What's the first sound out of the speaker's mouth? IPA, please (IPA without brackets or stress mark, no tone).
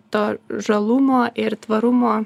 t̪